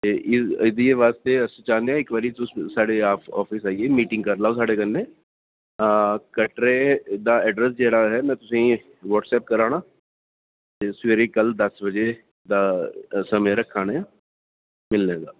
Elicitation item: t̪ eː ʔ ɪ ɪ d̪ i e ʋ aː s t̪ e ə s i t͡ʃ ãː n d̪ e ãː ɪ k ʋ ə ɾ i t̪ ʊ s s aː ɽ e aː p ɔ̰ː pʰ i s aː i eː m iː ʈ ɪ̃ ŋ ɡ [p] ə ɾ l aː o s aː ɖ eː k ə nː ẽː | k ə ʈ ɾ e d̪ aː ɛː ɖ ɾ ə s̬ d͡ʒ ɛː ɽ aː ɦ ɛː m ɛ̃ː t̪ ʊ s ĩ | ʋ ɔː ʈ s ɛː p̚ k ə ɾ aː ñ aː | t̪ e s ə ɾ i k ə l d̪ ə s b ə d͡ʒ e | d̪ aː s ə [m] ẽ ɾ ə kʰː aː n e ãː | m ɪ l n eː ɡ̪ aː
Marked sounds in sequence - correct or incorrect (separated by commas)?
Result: incorrect, correct